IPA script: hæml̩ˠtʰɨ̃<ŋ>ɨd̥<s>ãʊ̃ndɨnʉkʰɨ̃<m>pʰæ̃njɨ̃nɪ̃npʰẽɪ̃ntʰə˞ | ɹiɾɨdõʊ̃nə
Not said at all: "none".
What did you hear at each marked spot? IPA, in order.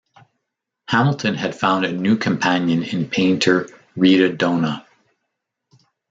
n, f, m

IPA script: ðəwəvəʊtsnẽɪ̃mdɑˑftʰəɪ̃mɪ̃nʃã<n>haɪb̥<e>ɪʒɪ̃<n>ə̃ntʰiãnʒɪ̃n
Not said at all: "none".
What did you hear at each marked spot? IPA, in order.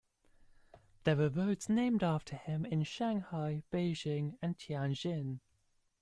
ŋ, e, ŋ

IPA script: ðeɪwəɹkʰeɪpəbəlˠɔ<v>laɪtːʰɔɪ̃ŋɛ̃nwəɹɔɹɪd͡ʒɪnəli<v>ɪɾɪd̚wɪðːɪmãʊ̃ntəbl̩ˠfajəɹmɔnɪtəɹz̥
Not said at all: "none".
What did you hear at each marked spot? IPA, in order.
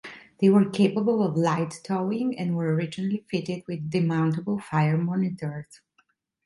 v, f

